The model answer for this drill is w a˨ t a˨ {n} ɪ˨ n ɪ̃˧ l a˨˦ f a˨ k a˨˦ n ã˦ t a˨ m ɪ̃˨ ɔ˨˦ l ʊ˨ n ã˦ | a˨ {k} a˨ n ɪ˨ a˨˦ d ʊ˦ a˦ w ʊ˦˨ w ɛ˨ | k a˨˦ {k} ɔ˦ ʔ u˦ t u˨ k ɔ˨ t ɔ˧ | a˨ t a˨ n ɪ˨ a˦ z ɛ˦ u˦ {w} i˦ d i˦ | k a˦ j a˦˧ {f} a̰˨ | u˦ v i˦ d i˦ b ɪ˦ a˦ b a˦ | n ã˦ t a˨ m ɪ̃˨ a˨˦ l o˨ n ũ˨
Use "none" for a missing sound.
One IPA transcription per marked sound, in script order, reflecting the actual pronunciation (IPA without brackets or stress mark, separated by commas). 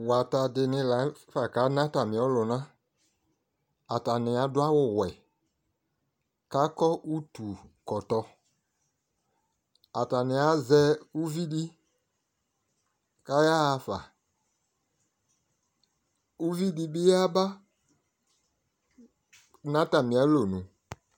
d, t, k, v, f